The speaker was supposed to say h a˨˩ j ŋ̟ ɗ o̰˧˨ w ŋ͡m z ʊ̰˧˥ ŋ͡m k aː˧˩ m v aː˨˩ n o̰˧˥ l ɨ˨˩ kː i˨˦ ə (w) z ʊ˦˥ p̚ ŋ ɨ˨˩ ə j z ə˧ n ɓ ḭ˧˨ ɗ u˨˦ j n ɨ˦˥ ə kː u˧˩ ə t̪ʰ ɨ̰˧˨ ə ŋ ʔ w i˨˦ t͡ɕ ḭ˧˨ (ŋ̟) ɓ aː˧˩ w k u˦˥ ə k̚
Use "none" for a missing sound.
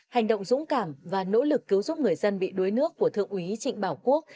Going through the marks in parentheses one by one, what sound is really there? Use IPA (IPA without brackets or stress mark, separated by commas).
w, ŋ̟